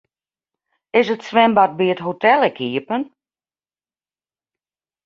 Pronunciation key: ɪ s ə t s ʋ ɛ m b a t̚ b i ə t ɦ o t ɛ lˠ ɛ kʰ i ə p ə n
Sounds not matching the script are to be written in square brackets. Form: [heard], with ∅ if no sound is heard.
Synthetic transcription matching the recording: ɪ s ə t s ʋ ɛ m b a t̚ b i ə t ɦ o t ɛ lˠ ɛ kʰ i ə p ə n

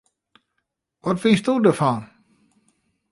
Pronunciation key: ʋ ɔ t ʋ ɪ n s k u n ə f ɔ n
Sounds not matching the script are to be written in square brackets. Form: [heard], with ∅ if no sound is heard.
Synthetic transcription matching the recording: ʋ ɔ t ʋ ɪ n s [t] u [d] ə f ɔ n

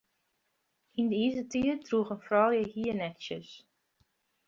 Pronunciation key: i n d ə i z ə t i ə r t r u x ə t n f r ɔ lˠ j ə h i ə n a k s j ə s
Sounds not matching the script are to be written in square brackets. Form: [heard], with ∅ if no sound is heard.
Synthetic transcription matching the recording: i n d ə i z ə t i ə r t r u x ə [∅] n f r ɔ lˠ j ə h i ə n [ɛ] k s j ə s

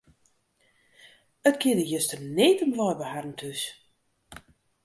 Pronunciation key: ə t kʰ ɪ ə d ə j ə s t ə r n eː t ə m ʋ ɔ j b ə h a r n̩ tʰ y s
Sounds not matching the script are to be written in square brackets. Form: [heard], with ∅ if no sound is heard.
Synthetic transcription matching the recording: ə t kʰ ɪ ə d ə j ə s t ə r n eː t ə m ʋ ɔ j b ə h a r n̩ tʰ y s

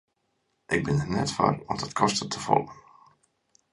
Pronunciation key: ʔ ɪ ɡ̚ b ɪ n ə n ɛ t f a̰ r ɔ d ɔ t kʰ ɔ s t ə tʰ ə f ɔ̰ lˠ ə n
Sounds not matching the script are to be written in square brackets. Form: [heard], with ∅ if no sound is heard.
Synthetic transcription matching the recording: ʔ ɪ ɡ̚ b ɪ n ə n ɛ t f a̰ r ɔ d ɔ t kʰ ɔ s t ə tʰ ə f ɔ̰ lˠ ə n

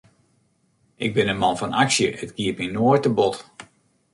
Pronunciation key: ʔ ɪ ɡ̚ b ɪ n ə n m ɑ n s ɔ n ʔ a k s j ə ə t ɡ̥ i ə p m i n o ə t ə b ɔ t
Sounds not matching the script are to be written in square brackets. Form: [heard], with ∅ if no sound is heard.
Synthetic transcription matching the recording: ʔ ɪ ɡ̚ b ɪ n ə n m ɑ n [f] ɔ n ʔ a k s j ə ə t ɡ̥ i ə p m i n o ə t ə b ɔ t

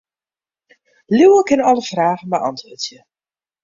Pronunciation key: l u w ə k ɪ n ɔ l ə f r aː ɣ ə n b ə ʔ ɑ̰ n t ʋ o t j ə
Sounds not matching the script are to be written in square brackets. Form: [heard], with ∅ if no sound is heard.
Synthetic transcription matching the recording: l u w ə k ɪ n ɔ l ə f r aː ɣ ə n b ə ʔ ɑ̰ n t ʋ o t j ə

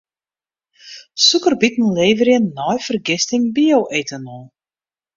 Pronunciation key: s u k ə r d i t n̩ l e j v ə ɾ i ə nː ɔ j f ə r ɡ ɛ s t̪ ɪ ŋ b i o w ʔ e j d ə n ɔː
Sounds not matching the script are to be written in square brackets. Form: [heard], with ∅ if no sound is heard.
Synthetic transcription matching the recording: s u k ə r [b] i t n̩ l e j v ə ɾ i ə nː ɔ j f ə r ɡ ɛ s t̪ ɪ ŋ b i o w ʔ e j [t] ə n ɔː

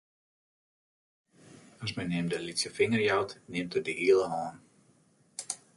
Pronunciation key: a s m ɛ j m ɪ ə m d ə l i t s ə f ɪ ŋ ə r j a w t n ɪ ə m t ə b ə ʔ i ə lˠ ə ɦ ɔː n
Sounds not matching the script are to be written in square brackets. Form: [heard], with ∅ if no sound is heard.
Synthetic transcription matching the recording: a s m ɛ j [n] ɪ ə m d ə l i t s ə f ɪ ŋ ə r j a w t n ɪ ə m t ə [d] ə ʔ i ə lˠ ə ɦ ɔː n

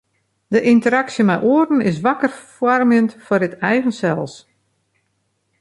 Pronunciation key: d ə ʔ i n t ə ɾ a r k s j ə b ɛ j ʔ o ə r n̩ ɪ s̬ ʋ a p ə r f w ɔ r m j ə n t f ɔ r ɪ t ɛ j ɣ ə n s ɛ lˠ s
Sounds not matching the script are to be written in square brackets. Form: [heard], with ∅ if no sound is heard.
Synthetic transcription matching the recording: d ə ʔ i n t ə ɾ a [∅] k s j ə [m] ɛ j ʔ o ə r n̩ ɪ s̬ ʋ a [k] ə r f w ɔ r m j ə n t f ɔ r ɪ t ɛ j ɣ ə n s ɛ lˠ s

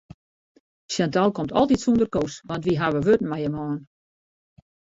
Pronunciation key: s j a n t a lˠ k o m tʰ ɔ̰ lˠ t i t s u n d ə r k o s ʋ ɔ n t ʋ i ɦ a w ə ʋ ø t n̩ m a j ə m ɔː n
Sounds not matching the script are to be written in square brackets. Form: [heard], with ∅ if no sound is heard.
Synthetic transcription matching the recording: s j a n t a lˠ k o m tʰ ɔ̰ lˠ t i t s u n d ə r k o s ʋ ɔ n t ʋ i ɦ a [ʋ] ə ʋ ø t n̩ m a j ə m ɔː n

